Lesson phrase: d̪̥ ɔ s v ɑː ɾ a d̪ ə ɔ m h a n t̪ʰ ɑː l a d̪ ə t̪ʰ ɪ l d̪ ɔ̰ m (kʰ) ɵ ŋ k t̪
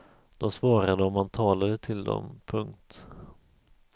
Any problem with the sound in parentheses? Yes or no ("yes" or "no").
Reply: yes